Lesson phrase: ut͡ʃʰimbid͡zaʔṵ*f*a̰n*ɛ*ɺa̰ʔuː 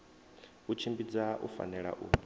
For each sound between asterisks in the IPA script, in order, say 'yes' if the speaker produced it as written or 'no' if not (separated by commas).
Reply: yes, yes